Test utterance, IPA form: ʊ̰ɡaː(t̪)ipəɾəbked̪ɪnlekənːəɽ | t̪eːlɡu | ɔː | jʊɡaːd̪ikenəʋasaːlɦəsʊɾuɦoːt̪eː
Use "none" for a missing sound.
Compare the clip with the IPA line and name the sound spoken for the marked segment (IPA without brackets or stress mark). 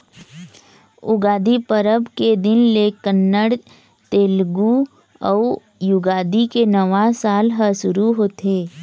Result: d̪